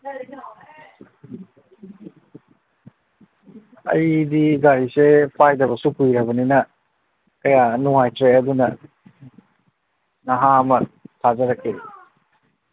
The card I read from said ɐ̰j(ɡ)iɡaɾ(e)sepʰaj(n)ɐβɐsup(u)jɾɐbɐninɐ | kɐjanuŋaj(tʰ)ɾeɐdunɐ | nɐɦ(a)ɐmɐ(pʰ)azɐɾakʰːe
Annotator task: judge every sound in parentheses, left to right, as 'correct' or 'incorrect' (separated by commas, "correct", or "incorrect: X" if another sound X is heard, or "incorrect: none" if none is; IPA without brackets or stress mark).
incorrect: d, incorrect: i, incorrect: d, correct, incorrect: t, correct, incorrect: tʰ